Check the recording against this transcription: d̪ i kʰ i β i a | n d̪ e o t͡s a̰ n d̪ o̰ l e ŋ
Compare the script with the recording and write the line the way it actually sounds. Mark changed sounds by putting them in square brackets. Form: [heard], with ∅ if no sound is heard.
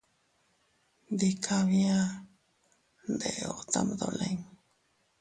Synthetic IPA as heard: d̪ i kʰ [a] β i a | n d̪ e o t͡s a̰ [m] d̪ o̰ l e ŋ